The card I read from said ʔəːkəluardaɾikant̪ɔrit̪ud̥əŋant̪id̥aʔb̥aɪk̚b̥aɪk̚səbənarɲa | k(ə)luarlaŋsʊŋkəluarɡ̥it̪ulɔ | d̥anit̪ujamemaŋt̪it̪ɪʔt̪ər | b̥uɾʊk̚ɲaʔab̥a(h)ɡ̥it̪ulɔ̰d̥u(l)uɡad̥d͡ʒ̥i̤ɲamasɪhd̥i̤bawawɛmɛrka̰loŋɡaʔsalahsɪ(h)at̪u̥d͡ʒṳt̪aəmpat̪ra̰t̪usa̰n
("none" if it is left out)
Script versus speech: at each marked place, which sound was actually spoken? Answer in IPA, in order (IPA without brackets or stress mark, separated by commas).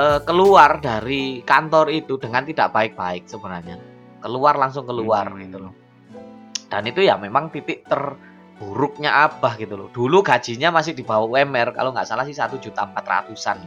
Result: ə, h, l, s